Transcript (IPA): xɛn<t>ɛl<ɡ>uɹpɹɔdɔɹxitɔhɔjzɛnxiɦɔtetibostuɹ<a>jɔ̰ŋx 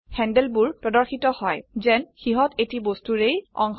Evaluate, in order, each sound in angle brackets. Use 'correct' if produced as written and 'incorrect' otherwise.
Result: incorrect: d, incorrect: b, incorrect: e

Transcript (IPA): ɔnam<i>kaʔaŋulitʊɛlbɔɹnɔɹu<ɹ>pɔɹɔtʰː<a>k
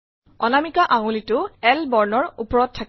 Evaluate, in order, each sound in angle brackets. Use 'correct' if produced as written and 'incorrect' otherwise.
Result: correct, incorrect: none, correct

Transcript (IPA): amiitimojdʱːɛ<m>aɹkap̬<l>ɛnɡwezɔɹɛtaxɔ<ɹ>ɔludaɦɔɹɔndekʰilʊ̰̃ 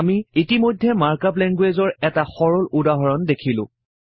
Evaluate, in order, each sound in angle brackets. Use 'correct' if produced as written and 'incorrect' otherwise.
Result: correct, correct, correct

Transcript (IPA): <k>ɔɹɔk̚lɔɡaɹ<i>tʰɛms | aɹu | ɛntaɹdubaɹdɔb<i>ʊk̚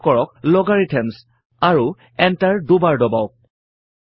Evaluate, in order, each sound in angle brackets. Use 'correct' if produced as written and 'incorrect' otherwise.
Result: correct, correct, incorrect: a

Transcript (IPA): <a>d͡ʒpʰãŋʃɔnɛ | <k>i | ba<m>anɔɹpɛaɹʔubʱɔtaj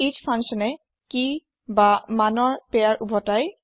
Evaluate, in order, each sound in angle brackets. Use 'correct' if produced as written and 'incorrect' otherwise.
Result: incorrect: i, correct, correct

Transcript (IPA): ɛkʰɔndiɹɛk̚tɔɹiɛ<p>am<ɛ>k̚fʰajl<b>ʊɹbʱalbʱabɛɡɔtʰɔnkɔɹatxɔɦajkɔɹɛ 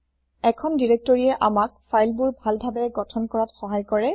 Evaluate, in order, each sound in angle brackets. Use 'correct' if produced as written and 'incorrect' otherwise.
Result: incorrect: ʔ, incorrect: a, correct

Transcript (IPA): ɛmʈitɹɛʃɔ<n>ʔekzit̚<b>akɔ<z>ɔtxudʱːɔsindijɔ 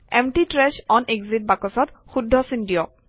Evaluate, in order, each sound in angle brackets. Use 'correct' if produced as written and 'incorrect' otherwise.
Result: correct, correct, incorrect: s

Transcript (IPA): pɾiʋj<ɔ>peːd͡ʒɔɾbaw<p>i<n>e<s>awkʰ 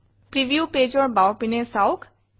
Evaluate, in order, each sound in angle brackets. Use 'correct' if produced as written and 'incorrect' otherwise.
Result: incorrect: u, correct, correct, correct

